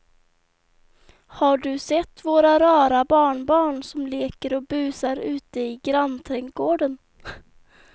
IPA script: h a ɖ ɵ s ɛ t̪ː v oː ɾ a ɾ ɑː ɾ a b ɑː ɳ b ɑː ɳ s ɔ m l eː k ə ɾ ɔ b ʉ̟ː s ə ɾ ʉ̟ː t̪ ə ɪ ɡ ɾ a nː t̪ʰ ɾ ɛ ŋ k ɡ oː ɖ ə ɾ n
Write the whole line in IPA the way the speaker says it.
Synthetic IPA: h a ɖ ɵ s ɛ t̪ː v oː ɾ a ɾ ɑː ɾ a b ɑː ɳ b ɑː ɳ s ɔ m l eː k ə ɾ ɔ b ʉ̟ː s a ɾ ʉ̟ː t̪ ə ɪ ɡ ɾ a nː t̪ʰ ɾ ɛ ŋ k ɡ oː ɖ ə n